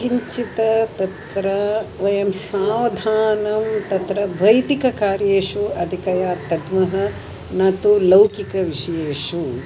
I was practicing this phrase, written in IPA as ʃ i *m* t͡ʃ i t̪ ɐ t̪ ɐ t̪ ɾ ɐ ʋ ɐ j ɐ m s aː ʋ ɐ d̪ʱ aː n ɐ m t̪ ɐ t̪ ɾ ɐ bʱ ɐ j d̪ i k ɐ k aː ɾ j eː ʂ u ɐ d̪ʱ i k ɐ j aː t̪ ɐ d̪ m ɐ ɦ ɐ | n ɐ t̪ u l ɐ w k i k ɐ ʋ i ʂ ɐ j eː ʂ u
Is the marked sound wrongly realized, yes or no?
yes